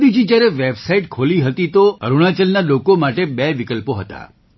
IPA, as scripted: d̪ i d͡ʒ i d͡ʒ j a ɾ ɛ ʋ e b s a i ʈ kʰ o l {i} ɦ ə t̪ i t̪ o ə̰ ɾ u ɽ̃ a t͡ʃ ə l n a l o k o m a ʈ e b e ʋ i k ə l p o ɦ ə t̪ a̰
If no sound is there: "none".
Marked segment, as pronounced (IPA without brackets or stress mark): i